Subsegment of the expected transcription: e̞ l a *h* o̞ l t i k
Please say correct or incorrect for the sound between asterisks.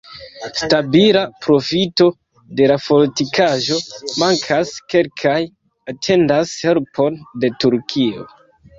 incorrect